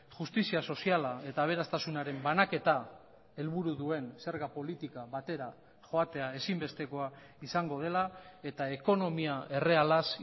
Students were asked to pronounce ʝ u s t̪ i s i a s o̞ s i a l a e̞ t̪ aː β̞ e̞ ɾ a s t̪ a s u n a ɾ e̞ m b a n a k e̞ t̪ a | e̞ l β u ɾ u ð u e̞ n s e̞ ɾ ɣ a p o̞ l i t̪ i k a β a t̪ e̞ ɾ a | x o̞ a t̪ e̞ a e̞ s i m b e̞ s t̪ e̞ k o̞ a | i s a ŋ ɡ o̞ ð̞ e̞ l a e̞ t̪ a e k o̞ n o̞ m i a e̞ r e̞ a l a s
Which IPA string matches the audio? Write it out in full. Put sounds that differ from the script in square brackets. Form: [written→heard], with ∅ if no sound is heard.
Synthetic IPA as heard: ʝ u s t̪ i s i a s o̞ s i a l a e̞ t̪ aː β̞ e̞ ɾ a s t̪ a s u n a ɾ e̞ m b a n a k e̞ t̪ a | e̞ l β u ɾ u ð u e̞ n s e̞ ɾ ɣ a p o̞ l i t̪ i k a β a t̪ e̞ ɾ a | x o̞ a t̪ e̞ a e̞ s i m b e̞ s t̪ e̞ k o̞ a | i s a ŋ ɡ o̞ ð̞ e̞ l a e̞ t̪ a e k o̞ n o̞ m i a e̞ r e̞ a l a s